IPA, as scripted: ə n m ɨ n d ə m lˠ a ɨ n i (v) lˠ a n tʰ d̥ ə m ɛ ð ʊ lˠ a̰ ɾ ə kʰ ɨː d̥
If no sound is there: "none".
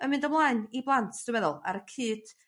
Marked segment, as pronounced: b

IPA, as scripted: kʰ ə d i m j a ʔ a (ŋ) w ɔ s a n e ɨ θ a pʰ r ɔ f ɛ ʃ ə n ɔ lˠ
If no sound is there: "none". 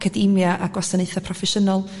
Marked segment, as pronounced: ɡ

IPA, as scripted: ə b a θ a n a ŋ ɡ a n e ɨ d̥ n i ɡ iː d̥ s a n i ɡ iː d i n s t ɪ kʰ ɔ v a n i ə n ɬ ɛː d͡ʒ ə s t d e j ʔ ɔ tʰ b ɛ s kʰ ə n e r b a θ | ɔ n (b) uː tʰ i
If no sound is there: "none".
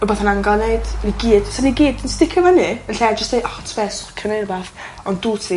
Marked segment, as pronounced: d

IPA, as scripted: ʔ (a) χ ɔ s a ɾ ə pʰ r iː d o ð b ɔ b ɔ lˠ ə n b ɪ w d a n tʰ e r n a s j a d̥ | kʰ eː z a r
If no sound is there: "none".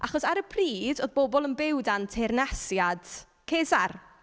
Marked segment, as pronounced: a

